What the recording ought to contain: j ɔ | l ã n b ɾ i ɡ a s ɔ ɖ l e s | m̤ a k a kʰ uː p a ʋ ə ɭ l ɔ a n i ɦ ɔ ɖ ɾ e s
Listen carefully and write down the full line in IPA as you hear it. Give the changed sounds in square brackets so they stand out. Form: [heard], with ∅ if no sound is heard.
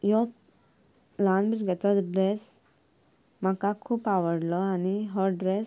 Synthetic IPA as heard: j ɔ | l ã n b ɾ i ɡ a [t͡s] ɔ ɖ [ɾ] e s | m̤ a k a kʰ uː p a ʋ ə [ɽ] l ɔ a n i ɦ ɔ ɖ ɾ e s